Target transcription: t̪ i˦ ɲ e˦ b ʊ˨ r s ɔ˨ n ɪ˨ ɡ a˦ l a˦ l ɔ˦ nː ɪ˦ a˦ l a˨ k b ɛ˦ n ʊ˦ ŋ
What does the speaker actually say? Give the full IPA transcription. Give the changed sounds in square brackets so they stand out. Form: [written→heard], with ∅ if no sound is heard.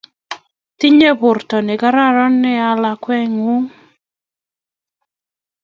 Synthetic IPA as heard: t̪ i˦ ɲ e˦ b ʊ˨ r [s→t] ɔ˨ n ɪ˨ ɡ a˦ [l→ɾ] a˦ [l→ɾ] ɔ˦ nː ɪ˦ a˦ l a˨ k [b→w] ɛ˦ [n→ŋ] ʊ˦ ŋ